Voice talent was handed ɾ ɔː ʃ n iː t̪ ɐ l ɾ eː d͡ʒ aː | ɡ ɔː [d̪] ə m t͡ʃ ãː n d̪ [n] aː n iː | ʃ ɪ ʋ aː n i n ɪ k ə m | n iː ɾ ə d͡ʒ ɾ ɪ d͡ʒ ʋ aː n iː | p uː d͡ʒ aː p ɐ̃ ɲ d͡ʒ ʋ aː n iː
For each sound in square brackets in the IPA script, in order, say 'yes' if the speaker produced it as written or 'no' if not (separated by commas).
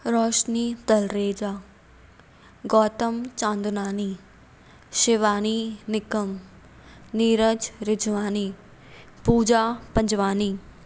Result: no, yes